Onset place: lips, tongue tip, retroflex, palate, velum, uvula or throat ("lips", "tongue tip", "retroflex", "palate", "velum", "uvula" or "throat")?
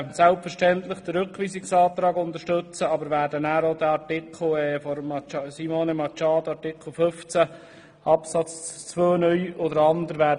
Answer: tongue tip